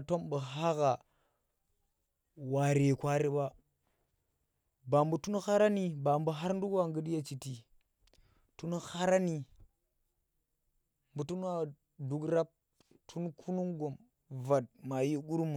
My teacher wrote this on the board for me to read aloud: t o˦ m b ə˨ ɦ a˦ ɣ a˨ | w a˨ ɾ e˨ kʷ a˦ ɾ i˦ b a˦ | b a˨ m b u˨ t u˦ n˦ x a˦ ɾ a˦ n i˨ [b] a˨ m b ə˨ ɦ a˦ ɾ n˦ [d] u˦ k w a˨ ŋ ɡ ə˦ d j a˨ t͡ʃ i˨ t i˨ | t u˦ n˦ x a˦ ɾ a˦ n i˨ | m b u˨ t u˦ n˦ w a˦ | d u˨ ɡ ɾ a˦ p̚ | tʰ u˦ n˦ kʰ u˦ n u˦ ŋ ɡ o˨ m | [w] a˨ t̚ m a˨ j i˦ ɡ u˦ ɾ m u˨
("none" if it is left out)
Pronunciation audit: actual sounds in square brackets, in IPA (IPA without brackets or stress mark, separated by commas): b, d, v